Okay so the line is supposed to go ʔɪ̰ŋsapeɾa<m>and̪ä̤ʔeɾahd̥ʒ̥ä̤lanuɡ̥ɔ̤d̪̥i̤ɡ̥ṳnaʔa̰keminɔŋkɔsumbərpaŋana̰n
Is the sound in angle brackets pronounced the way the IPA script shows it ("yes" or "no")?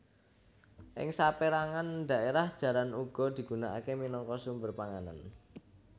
no